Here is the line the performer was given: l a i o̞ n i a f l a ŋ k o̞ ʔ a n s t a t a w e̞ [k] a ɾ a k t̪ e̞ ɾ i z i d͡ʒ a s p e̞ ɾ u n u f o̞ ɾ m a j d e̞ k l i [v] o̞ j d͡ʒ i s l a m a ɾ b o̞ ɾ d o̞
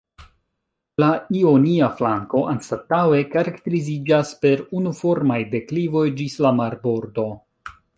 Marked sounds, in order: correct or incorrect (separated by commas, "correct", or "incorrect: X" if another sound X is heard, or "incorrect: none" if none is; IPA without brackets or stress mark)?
correct, correct